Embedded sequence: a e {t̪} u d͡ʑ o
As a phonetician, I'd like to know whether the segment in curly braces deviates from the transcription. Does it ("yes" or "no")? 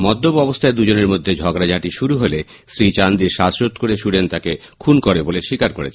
yes